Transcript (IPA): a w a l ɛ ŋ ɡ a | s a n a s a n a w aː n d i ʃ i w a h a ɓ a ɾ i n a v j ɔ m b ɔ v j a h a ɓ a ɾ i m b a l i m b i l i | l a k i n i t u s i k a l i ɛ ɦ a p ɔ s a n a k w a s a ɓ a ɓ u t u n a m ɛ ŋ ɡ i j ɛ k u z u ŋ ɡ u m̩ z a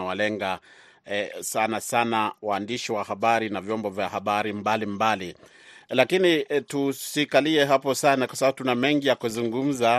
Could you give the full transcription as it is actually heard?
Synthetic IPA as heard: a w a l ɛ ŋ ɡ a | s a n a s a n a w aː n d i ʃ i w a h a ɓ a ɾ i n a v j ɔ m b ɔ v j a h a ɓ a ɾ i m b a l i m b a l i | l a k i n i t u s i k a l i ɛ ɦ a p ɔ s a n a k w a s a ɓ a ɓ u t u n a m ɛ ŋ ɡ i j a k u z u ŋ ɡ u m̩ z a